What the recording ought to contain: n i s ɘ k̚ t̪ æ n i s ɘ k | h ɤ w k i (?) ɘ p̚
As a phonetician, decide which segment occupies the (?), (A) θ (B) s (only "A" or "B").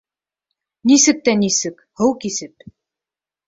B